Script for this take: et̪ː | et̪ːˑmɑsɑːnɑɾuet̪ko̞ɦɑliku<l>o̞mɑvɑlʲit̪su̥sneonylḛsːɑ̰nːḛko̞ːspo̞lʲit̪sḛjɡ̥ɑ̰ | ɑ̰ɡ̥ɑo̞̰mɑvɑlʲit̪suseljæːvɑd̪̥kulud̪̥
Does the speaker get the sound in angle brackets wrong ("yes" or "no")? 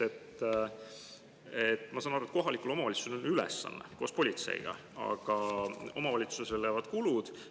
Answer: no